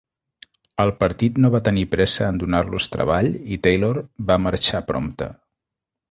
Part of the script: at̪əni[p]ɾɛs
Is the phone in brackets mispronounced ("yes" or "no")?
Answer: no